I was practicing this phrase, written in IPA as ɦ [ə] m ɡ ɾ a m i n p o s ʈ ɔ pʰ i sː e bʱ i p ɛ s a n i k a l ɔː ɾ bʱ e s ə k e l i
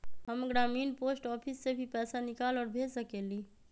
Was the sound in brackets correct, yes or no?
yes